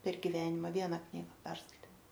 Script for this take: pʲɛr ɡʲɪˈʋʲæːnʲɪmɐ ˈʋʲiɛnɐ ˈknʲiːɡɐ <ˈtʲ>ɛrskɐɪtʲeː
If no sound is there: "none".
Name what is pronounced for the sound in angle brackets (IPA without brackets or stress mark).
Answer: pʲ